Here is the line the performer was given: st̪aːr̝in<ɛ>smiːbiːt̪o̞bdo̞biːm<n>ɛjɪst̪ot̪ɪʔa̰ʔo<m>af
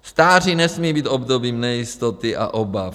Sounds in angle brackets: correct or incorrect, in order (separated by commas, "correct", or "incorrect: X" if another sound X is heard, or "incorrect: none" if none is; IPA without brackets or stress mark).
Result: correct, correct, incorrect: b